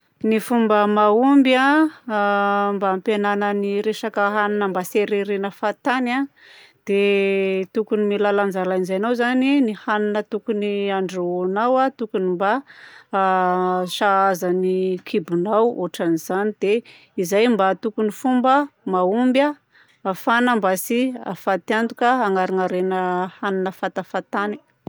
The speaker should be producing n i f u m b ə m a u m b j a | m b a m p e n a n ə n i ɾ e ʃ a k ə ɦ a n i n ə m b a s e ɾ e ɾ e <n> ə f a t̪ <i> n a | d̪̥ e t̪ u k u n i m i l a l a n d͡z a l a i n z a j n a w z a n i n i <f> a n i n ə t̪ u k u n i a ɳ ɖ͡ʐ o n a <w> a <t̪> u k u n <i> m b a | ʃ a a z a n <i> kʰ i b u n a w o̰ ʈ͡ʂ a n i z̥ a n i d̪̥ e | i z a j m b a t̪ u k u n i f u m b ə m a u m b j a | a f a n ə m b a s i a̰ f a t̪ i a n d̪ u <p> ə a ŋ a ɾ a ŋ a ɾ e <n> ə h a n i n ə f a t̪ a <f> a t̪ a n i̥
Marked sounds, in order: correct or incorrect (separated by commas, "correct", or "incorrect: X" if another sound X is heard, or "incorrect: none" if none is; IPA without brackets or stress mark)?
correct, incorrect: a, incorrect: h, correct, correct, correct, correct, incorrect: k, correct, correct